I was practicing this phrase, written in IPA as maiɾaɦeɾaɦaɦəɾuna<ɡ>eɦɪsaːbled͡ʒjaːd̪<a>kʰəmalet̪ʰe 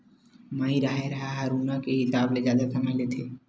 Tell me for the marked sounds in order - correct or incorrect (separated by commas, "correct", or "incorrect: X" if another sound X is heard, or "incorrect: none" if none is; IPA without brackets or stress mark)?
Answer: incorrect: k, correct